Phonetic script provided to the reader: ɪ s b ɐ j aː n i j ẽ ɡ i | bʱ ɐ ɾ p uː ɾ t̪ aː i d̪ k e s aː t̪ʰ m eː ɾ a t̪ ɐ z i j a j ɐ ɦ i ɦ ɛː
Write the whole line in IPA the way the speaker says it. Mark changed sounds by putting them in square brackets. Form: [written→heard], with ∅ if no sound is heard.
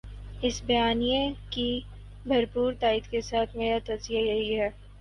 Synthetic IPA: ɪ s b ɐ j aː n i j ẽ [ɡ→k] i | bʱ ɐ ɾ p uː ɾ t̪ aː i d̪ k e s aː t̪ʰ m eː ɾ a t̪ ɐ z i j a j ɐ ɦ i ɦ ɛː